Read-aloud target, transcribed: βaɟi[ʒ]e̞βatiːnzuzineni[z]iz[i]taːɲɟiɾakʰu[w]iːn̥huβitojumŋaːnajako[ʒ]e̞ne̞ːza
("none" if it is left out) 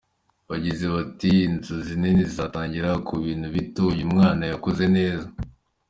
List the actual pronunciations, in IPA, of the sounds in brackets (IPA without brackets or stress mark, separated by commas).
z, z, a, β, z